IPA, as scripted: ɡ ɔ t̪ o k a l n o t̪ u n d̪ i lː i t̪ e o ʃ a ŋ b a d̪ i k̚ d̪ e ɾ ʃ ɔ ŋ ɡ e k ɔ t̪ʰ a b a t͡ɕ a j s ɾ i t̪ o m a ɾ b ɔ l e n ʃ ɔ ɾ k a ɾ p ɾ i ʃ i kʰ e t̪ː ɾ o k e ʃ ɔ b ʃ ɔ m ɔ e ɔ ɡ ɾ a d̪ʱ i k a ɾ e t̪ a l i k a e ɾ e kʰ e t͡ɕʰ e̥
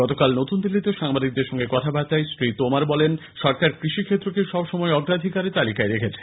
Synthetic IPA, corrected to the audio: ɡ ɔ t̪ o k a l n o t̪ u n d̪ i lː i t̪ e o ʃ a ŋ b a d̪ i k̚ d̪ e ɾ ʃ ɔ ŋ ɡ e k ɔ t̪ʰ a b a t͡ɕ a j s ɾ i t̪ o m a ɾ b ɔ l e n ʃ ɔ ɾ k a ɾ k ɾ i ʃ i kʰ e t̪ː ɾ o k e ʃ ɔ b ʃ ɔ m ɔ e ɔ ɡ ɾ a d̪ʱ i k a ɾ e t̪ a l i k a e ɾ e kʰ e t͡ɕʰ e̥